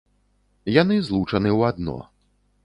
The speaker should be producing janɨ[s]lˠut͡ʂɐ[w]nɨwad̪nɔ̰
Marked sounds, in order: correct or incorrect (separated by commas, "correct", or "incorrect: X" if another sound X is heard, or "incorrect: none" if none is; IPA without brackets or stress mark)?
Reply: incorrect: z, incorrect: none